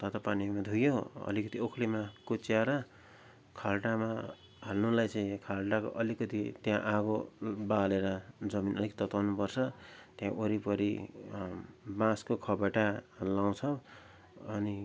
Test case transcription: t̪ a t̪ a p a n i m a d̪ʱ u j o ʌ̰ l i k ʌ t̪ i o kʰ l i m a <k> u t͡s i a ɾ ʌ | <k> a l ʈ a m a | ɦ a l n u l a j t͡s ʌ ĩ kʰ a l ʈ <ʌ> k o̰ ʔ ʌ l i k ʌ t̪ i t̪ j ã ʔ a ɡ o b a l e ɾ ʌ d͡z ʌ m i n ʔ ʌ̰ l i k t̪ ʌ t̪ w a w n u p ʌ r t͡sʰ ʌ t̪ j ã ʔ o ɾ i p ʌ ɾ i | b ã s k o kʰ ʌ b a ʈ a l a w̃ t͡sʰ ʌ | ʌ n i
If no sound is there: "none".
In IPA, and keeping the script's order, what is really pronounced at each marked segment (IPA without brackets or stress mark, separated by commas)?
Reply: k, kʰ, a